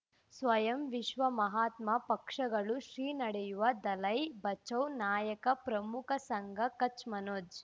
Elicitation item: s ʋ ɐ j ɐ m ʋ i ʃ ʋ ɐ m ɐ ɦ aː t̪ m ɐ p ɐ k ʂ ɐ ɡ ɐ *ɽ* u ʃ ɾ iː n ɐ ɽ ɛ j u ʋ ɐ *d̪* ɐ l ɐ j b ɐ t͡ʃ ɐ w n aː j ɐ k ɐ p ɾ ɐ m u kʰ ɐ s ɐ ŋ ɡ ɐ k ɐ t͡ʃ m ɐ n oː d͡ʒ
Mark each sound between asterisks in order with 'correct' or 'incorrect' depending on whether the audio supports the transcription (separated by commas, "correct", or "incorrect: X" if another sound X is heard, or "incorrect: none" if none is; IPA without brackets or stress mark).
incorrect: ɭ, correct